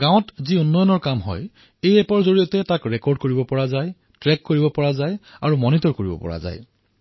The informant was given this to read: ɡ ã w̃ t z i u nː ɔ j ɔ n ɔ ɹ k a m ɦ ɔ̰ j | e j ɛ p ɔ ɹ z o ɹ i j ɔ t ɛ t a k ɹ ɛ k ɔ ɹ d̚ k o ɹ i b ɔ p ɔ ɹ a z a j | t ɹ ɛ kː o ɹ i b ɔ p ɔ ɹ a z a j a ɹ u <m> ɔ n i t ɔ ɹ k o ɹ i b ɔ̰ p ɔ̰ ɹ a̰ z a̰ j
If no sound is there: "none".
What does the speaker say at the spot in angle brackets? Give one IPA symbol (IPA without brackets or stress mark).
m